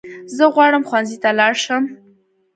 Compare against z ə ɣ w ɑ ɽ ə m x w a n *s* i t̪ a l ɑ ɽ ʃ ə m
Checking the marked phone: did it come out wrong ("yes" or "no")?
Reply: yes